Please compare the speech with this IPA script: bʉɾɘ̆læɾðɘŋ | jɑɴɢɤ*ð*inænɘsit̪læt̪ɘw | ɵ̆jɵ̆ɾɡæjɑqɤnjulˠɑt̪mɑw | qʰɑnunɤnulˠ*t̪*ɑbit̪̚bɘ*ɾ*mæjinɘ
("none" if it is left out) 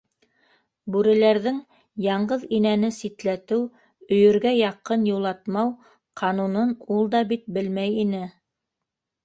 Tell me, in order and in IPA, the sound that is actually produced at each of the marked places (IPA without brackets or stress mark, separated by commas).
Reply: ð, d̪, l